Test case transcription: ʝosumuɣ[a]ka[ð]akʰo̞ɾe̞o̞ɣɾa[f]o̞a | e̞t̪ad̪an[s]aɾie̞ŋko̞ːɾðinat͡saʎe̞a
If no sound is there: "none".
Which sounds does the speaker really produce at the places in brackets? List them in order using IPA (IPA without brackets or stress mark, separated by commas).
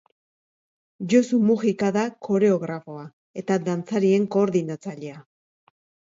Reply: i, ð, f, t͡s